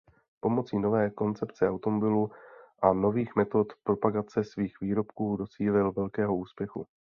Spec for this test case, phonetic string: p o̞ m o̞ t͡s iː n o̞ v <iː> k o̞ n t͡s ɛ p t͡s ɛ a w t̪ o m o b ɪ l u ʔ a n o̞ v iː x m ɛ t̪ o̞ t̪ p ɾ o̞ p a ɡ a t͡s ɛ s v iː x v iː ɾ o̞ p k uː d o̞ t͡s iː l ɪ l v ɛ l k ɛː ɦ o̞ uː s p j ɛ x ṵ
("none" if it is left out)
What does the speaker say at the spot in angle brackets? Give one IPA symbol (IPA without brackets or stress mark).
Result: ɛː